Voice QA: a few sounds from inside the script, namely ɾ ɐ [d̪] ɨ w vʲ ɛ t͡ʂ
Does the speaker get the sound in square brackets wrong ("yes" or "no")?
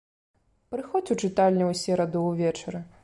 no